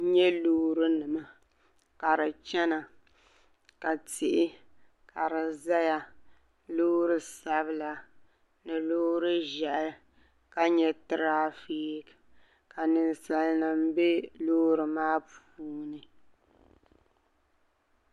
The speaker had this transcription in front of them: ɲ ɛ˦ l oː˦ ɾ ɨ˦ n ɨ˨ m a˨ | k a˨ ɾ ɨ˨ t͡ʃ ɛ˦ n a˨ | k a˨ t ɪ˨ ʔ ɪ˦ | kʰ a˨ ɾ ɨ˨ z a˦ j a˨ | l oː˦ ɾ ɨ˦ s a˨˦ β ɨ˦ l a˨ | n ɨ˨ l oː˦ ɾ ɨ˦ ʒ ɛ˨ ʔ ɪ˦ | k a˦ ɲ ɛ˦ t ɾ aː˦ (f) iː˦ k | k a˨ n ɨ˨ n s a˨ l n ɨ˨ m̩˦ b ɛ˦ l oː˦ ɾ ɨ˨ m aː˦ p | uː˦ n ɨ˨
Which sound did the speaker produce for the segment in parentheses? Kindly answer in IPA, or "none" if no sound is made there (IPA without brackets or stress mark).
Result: f